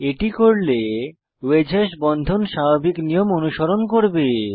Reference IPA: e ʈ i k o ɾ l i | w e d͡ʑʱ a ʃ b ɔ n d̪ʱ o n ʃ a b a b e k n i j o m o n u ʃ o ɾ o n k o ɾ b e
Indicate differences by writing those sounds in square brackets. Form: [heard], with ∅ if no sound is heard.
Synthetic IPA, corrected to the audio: e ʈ i k o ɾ l [e] | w e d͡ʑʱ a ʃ b ɔ n d̪ʱ o n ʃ a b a b [i] k n i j o m o n u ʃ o ɾ o n k o ɾ b e